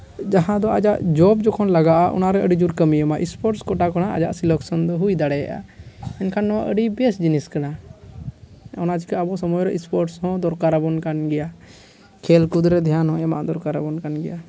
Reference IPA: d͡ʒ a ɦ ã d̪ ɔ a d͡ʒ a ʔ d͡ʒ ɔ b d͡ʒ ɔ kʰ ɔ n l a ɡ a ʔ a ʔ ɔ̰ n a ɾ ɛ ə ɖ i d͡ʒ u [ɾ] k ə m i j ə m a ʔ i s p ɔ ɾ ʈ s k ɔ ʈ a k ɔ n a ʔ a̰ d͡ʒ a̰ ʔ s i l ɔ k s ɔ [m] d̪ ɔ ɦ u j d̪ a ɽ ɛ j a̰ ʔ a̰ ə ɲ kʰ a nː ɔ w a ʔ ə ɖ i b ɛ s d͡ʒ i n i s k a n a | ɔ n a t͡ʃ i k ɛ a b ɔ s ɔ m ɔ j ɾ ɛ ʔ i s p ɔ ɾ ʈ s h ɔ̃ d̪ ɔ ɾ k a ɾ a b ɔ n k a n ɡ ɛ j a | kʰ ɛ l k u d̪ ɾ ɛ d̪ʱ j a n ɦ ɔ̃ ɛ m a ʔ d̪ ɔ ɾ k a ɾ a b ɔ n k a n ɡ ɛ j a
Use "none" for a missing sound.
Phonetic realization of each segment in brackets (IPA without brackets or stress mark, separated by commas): ɾ, n